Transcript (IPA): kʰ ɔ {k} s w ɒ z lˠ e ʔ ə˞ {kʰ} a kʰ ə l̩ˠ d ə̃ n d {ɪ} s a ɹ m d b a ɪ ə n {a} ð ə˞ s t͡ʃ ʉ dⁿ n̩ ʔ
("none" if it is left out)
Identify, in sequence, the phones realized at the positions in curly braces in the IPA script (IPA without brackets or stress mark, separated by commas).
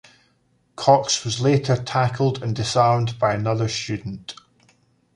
k, tʰ, ɪ, ʌ